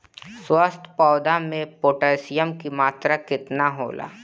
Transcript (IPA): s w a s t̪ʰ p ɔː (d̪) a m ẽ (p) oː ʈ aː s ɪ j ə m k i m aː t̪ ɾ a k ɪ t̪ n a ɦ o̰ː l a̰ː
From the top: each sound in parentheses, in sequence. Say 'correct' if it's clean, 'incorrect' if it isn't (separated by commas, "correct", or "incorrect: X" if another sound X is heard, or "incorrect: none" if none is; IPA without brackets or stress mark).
correct, correct